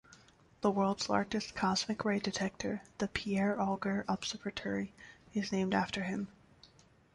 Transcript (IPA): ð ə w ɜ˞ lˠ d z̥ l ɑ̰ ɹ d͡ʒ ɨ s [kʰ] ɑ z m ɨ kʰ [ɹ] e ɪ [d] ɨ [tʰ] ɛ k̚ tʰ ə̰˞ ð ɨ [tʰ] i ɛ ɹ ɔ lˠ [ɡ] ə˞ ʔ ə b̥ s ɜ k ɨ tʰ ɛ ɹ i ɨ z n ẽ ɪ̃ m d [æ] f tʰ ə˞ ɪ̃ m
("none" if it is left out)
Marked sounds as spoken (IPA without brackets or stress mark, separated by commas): kʰ, ɹ, d, tʰ, pʰ, ɡ, æ